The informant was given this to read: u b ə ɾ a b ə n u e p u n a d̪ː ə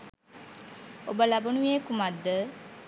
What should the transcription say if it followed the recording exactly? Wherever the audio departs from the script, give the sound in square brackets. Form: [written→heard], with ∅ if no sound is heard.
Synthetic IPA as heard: [u→o] b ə [ɾ→l] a b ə n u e [p→k] u [n→m] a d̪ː ə